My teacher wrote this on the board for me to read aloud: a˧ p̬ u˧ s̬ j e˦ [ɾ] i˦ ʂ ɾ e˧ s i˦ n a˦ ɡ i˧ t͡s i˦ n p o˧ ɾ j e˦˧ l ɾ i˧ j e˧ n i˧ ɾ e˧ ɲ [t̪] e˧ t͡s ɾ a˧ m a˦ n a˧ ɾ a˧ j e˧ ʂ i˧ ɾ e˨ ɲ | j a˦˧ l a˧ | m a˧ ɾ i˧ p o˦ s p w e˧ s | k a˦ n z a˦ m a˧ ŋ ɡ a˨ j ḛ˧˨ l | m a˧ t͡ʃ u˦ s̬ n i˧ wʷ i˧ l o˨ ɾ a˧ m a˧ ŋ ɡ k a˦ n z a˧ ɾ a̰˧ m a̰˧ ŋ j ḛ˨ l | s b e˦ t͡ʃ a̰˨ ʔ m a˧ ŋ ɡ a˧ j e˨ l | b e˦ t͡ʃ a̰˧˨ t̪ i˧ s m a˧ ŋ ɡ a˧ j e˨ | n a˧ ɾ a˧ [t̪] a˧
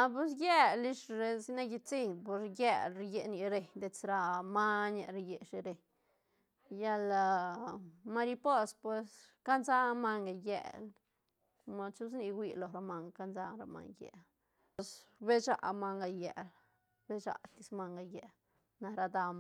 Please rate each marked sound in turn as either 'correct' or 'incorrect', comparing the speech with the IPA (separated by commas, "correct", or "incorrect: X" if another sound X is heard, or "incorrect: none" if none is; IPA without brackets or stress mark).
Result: incorrect: l, incorrect: d̪, incorrect: d̪